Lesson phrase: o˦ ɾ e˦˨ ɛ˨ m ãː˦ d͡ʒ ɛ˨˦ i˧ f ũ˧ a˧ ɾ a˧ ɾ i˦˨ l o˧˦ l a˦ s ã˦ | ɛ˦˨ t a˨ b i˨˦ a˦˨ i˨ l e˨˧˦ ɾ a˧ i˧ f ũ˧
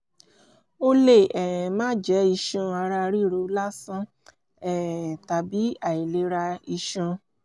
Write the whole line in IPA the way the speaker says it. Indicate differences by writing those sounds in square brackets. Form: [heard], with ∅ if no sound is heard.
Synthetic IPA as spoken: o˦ [l] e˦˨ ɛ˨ m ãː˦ d͡ʒ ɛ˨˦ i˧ [ʃ] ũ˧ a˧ ɾ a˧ ɾ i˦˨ [ɾ] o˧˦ l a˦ s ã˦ | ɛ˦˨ t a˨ b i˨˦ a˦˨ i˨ l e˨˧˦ ɾ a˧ i˧ [ʃ] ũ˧

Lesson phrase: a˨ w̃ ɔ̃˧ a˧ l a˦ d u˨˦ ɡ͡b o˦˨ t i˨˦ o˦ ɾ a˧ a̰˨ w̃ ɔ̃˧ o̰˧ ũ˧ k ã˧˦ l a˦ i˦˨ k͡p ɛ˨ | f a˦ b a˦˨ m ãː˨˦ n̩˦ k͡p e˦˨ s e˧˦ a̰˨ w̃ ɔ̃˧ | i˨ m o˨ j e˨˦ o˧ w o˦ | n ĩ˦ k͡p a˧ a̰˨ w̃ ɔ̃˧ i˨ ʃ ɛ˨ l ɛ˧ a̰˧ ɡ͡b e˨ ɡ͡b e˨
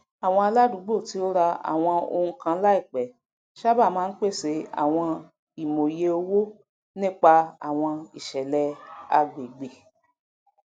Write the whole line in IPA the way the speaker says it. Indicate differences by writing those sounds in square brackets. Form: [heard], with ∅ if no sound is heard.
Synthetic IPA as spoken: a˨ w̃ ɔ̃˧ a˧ l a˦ d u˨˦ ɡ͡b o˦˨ t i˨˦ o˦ ɾ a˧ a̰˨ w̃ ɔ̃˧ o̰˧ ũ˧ k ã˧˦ l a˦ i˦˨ k͡p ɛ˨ | [ʃ] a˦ b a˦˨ m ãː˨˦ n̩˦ k͡p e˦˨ s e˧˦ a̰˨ w̃ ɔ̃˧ | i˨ m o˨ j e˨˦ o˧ w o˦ | n ĩ˦ k͡p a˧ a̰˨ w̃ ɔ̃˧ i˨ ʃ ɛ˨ l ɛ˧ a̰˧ ɡ͡b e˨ ɡ͡b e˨

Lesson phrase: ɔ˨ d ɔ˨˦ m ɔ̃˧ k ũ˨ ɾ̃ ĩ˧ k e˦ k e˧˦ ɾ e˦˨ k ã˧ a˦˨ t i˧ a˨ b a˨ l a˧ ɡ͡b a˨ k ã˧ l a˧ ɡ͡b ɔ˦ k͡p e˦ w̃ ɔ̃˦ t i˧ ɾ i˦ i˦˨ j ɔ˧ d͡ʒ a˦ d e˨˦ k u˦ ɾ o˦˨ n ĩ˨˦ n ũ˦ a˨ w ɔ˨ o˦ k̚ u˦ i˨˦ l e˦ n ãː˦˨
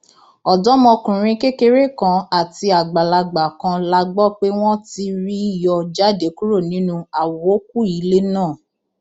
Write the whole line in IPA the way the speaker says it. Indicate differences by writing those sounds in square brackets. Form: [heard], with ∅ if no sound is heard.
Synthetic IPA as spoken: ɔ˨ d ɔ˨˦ m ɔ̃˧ k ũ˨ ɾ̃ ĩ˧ k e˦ k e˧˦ ɾ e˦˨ k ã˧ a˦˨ t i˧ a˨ [ɡ͡b] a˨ l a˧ ɡ͡b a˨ k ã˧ l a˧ ɡ͡b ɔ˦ k͡p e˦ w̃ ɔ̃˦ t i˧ ɾ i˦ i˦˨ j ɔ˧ d͡ʒ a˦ d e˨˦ k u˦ ɾ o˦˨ n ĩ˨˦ n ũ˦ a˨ w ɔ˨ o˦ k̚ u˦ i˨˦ l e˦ n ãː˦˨

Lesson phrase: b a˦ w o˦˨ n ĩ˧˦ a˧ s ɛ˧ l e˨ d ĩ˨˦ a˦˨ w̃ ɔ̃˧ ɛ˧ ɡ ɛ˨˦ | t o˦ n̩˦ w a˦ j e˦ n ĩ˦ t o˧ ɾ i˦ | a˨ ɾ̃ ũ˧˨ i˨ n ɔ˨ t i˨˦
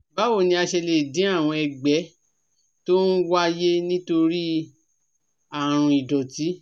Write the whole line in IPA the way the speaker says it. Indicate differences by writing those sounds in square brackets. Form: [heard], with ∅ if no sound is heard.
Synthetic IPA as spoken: b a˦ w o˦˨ n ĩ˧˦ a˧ [ʃ] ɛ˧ l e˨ d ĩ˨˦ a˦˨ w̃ ɔ̃˧ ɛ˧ [ɡ͡b] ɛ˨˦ | t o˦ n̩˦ w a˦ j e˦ n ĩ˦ t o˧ ɾ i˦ | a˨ ɾ̃ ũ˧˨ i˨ [d] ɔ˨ t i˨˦

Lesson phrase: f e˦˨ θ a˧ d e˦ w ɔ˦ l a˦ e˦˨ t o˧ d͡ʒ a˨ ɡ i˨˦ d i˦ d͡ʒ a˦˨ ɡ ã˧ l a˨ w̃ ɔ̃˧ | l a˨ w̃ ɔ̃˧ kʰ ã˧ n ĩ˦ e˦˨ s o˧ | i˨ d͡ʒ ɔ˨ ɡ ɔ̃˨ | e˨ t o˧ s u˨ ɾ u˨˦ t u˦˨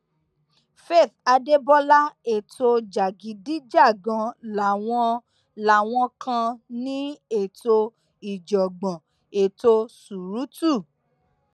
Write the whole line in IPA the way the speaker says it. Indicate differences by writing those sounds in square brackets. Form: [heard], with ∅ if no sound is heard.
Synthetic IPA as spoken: f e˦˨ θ a˧ d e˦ [b] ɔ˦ l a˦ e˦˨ t o˧ d͡ʒ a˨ ɡ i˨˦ d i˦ d͡ʒ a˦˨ ɡ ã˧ l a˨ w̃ ɔ̃˧ | l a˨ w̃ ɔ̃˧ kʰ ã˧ n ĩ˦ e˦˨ [t] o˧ | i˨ d͡ʒ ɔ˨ [ɡ͡b] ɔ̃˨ | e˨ t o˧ s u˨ ɾ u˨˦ t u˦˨

